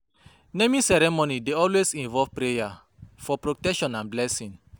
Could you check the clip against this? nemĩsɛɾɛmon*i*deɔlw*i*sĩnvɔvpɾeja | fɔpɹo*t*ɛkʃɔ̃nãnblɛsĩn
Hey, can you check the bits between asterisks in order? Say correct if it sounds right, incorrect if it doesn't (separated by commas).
correct, incorrect, correct